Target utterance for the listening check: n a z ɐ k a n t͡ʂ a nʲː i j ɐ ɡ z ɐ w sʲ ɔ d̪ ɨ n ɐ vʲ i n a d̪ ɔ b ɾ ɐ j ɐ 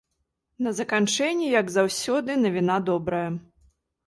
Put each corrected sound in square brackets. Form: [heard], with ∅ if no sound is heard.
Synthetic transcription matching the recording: n [ɐ] z ɐ k a n t͡ʂ [ɛ] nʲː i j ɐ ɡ z [a] w sʲ ɔ d̪ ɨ n ɐ vʲ i n a d̪ ɔ b ɾ ɐ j ɐ

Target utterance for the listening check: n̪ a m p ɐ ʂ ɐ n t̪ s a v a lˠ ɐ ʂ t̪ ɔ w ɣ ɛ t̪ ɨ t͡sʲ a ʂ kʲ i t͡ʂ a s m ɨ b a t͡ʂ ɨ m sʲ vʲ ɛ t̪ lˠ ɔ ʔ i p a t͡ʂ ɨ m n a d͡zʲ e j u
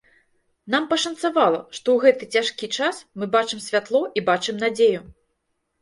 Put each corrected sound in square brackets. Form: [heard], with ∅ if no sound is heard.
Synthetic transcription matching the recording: n̪ a m p ɐ ʂ ɐ n t̪ s a v a lˠ ɐ ʂ t̪ ɔ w ɣ ɛ t̪ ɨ t͡sʲ a ʂ kʲ i t͡ʂ a s m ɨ b a t͡ʂ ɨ m sʲ vʲ [a] t̪ lˠ ɔ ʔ i [b] a t͡ʂ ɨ m n a d͡zʲ e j u

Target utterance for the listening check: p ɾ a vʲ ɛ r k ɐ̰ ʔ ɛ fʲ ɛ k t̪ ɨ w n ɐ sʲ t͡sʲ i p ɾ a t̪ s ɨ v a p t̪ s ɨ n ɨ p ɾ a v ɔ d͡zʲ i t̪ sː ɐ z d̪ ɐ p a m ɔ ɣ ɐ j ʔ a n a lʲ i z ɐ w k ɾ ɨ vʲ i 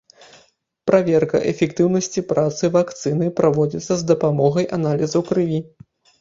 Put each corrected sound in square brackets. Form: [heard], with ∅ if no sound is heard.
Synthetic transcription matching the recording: p ɾ a vʲ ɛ r k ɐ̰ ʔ ɛ fʲ ɛ k t̪ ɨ w n ɐ sʲ t͡sʲ i p ɾ a t̪ s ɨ v a [k] t̪ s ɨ n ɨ p ɾ a v ɔ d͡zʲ i t̪ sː ɐ z d̪ ɐ p a m ɔ ɣ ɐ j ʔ a n a lʲ i z ɐ w k ɾ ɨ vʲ i

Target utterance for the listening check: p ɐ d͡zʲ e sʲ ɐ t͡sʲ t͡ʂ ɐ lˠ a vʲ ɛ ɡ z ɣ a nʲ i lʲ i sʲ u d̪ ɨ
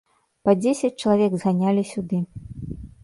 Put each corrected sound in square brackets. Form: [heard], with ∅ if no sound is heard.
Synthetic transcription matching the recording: p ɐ d͡zʲ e sʲ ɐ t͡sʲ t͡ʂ ɐ lˠ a vʲ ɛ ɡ z ɣ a nʲ [a] lʲ i sʲ u d̪ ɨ

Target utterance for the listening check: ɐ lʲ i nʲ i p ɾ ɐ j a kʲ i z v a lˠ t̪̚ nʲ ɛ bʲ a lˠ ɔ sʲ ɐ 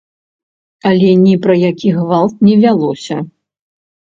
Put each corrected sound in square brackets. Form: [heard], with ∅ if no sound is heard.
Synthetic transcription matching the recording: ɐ lʲ [ɛ] nʲ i p ɾ ɐ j a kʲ i [ɣ] v a lˠ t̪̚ nʲ ɛ [vʲ] a lˠ ɔ sʲ ɐ

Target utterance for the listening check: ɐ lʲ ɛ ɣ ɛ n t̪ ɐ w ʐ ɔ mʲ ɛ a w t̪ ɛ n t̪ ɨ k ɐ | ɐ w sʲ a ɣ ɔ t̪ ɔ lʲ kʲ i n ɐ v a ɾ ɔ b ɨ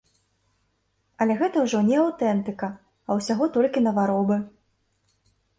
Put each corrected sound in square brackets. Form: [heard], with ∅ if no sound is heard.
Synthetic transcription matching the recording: ɐ lʲ ɛ ɣ ɛ [∅] t̪ ɐ w ʐ ɔ [nʲ] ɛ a w t̪ ɛ n t̪ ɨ k ɐ | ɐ w sʲ a ɣ ɔ t̪ ɔ lʲ kʲ i n ɐ v a ɾ ɔ b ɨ

